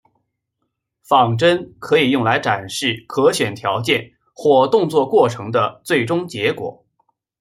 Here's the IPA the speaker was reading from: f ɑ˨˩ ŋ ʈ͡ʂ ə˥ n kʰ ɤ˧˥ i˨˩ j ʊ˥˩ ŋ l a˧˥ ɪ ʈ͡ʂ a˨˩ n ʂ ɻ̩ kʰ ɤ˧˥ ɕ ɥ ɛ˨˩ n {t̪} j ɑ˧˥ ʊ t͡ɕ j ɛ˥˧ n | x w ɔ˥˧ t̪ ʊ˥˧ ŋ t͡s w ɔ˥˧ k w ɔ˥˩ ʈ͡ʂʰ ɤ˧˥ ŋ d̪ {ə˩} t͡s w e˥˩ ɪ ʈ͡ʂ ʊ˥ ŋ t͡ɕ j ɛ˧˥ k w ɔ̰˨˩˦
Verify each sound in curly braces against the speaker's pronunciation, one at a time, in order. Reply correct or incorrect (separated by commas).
incorrect, incorrect